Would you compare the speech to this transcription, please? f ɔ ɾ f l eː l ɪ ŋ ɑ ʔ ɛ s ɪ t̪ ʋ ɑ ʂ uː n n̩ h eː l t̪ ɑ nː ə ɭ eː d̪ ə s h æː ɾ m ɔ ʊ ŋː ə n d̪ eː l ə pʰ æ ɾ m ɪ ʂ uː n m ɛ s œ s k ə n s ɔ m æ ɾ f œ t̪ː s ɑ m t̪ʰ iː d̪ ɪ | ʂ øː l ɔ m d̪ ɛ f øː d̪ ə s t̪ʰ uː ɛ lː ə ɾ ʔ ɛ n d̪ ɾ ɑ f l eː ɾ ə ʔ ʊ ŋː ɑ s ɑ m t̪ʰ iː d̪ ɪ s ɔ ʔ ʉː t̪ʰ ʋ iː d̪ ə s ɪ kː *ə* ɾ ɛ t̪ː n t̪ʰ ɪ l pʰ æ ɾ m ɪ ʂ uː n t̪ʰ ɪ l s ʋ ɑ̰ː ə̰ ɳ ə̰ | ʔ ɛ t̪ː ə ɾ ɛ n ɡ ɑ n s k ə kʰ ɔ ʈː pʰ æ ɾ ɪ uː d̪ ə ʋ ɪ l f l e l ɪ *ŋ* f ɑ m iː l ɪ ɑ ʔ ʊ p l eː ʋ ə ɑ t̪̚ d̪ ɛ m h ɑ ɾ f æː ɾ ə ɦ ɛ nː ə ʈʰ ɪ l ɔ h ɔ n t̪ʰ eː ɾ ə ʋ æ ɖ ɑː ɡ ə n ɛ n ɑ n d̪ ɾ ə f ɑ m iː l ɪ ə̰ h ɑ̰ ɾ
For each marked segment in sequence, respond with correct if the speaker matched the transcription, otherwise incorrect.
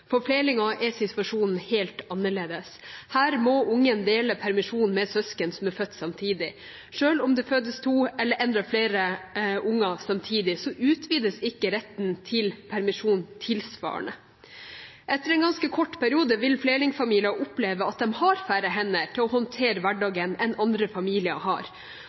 correct, correct

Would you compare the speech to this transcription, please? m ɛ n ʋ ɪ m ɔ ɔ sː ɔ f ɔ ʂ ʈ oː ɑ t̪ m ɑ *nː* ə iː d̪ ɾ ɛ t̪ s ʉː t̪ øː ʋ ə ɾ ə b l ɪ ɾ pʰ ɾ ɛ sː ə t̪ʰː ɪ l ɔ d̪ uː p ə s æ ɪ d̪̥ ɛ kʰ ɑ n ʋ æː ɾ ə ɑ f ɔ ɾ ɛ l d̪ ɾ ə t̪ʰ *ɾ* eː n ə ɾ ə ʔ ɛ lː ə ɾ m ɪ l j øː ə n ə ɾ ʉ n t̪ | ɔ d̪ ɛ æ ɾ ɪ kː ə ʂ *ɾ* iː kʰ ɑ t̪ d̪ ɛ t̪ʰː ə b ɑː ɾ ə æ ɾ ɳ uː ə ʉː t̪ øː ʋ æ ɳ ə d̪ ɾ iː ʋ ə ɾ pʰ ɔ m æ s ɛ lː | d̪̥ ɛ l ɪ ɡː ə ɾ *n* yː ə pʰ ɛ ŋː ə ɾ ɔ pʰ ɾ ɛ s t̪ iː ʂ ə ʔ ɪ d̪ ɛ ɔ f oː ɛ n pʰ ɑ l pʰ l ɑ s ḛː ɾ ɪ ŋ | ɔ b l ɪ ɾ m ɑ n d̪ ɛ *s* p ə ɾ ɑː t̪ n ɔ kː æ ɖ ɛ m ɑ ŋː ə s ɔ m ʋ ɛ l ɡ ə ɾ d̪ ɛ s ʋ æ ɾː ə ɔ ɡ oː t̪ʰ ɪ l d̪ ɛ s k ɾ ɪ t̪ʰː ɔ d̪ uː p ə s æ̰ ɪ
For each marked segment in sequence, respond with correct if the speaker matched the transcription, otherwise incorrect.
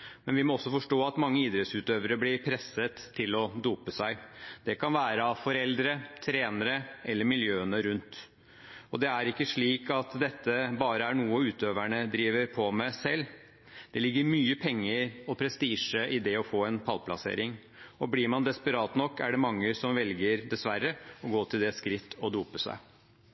incorrect, correct, incorrect, incorrect, correct

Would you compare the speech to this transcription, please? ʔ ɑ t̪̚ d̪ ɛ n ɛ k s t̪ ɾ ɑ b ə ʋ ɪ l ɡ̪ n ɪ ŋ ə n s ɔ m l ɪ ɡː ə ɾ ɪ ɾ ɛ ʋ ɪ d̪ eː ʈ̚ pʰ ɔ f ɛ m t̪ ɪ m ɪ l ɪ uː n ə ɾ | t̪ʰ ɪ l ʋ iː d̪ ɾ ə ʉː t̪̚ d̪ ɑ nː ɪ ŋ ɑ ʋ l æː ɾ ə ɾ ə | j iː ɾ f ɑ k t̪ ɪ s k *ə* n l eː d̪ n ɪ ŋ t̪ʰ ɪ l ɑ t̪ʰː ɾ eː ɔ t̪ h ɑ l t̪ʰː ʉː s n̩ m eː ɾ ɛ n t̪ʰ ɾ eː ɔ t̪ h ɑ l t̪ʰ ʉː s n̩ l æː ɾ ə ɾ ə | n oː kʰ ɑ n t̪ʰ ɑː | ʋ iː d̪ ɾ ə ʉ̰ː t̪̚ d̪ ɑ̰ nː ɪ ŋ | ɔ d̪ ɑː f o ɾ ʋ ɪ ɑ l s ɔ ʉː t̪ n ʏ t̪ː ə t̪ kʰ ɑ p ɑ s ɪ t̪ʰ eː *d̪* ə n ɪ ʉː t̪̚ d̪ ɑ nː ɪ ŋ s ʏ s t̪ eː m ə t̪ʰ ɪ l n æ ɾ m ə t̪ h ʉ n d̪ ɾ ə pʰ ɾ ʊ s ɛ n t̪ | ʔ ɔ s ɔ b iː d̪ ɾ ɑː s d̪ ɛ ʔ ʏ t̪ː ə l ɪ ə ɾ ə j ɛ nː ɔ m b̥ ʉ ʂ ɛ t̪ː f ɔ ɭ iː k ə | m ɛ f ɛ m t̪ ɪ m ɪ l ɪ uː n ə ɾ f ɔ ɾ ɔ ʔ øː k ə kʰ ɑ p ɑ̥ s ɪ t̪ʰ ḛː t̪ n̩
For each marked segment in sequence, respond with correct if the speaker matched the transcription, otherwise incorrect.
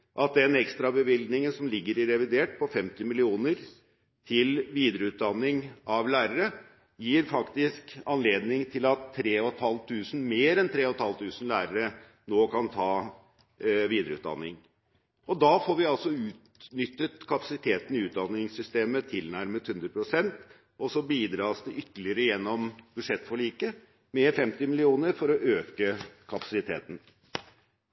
incorrect, incorrect

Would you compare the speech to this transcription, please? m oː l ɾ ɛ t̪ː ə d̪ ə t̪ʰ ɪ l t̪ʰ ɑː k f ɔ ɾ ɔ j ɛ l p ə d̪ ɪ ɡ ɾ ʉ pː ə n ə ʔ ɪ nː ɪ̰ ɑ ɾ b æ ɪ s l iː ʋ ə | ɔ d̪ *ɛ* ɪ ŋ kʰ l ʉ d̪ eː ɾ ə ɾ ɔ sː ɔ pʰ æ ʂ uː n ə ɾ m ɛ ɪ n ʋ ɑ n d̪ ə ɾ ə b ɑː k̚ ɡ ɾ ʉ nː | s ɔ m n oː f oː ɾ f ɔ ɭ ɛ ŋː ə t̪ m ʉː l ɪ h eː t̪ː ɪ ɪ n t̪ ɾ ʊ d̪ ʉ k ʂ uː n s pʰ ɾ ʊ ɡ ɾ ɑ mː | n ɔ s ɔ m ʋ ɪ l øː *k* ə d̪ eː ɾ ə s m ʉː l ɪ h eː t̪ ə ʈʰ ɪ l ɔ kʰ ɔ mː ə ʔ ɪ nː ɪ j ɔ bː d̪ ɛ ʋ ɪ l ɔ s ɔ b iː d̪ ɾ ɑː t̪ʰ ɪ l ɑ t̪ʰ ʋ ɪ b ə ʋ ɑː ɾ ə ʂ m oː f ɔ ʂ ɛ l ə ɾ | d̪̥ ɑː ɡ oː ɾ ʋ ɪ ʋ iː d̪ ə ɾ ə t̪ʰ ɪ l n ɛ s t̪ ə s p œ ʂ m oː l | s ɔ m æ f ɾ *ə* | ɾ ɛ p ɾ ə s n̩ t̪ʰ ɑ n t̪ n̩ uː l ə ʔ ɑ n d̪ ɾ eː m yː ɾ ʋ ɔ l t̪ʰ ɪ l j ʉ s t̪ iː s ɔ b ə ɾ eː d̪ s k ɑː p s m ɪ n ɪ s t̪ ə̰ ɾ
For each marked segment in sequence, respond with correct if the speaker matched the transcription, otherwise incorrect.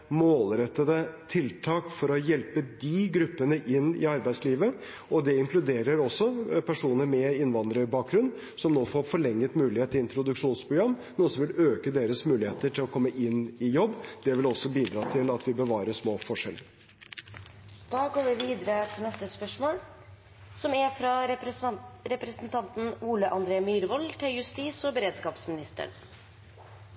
correct, correct, incorrect

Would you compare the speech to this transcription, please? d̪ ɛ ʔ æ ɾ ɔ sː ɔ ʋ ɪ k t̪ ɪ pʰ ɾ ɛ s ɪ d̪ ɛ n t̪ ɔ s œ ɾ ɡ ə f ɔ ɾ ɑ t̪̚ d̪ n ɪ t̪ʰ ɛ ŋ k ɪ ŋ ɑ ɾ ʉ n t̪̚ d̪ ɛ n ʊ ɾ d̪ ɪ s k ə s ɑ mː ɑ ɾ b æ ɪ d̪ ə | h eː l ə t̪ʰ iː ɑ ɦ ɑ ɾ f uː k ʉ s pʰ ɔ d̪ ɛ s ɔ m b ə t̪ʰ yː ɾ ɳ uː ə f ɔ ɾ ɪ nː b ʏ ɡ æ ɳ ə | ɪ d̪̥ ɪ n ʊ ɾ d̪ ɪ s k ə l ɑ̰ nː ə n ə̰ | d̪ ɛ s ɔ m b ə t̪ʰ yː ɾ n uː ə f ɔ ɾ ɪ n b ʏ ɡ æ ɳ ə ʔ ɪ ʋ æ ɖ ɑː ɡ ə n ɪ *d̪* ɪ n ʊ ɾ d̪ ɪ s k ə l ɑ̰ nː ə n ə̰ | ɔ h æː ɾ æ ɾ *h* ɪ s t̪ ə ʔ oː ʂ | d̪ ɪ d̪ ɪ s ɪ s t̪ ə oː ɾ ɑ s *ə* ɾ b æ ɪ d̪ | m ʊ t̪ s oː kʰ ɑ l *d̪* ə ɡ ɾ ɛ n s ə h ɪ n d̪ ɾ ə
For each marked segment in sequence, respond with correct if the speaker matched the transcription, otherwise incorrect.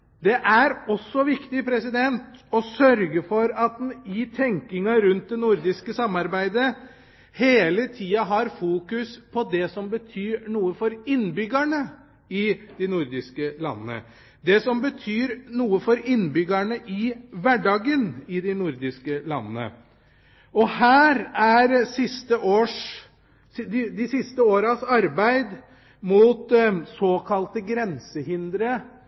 correct, incorrect, incorrect, incorrect

